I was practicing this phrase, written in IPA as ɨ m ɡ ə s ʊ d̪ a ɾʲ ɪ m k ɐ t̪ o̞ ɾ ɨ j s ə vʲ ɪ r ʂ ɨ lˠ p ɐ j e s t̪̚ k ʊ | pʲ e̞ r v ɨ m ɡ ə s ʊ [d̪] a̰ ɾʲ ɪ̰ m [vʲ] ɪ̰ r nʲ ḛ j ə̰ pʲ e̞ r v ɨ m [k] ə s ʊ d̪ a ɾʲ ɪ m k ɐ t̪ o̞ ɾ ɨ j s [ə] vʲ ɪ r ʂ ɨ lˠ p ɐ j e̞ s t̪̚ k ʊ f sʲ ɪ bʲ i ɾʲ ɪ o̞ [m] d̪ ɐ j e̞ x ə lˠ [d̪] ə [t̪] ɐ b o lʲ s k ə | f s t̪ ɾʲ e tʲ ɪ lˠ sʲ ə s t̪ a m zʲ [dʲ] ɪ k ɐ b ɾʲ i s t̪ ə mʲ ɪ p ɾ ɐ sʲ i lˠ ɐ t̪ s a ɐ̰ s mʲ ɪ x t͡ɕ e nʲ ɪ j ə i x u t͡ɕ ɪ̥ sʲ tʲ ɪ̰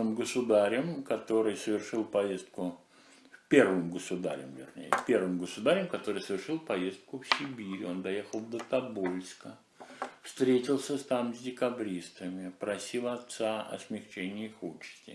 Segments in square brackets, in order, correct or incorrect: correct, correct, incorrect: ɡ, correct, incorrect: n, correct, correct, correct

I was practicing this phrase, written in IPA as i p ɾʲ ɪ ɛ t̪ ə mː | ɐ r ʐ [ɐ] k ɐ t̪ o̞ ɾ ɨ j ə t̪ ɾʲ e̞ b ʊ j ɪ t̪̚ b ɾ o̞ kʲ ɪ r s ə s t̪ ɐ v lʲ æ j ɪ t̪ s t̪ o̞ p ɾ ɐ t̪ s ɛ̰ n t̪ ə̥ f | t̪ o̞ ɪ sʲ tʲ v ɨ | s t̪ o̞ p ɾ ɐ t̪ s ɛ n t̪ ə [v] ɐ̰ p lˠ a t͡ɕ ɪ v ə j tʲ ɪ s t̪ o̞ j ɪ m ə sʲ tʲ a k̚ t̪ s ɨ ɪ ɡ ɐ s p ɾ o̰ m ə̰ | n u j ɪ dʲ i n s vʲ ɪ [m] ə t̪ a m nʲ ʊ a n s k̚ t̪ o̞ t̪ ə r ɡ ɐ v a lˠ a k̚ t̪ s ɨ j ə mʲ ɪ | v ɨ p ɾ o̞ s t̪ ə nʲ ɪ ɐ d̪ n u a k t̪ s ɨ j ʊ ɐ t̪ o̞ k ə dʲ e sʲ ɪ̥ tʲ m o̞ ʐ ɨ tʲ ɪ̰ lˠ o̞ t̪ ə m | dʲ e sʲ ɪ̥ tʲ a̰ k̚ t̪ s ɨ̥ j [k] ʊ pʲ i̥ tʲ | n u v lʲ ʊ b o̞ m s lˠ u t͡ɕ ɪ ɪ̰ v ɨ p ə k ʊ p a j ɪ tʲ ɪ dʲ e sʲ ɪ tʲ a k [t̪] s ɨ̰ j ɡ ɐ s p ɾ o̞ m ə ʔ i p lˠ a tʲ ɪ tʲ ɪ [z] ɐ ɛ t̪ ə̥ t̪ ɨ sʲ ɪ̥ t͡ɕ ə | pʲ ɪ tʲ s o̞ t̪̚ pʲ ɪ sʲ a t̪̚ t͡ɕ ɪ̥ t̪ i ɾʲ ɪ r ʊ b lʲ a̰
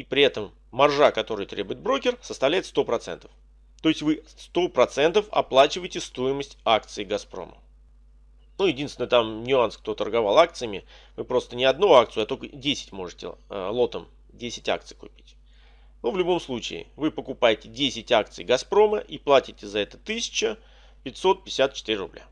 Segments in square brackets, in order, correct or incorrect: incorrect: a, incorrect: f, incorrect: n, correct, correct, correct

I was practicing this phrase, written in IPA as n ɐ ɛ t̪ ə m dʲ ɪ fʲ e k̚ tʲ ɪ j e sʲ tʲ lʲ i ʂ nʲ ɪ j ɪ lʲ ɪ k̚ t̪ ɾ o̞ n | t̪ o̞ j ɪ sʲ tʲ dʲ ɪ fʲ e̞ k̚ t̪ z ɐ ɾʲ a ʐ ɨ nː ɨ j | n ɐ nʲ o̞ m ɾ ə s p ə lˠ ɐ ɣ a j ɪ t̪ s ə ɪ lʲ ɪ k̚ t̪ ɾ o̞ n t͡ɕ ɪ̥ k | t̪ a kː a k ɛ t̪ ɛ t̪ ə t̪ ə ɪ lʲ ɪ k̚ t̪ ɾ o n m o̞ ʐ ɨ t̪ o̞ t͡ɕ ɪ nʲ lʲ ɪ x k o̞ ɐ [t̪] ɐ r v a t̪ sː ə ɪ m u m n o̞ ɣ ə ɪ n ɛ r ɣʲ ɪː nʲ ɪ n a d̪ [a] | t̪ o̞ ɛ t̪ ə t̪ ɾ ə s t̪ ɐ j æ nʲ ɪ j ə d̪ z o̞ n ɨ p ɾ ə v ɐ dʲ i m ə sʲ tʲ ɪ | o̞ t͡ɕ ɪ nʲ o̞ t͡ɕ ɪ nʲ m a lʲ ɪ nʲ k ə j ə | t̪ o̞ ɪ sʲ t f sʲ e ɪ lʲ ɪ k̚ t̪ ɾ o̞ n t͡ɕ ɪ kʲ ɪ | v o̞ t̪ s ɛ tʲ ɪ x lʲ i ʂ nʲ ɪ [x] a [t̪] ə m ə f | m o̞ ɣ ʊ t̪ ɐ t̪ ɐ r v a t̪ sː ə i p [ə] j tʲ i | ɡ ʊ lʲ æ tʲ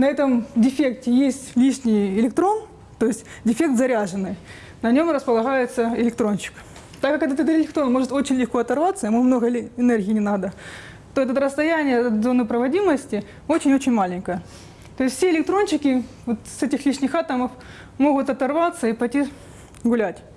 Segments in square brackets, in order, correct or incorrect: correct, incorrect: ə, correct, correct, incorrect: ɐ

